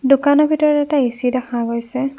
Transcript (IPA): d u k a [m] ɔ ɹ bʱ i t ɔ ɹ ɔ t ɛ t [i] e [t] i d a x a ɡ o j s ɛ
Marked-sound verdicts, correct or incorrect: incorrect, incorrect, incorrect

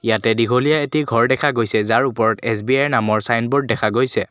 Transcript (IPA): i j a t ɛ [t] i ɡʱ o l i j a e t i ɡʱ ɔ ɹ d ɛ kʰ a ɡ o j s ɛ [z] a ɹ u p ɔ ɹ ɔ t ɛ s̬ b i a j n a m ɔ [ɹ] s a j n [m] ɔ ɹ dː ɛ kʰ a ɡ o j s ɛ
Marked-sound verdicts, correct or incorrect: incorrect, correct, correct, incorrect

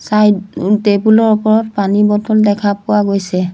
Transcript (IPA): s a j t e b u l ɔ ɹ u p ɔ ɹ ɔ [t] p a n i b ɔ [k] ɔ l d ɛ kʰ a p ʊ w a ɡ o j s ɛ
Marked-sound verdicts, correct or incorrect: correct, incorrect

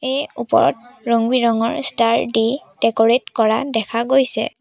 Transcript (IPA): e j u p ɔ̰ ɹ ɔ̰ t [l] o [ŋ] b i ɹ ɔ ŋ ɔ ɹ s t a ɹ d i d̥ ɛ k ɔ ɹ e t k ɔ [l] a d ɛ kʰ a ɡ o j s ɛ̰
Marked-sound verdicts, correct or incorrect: incorrect, correct, incorrect

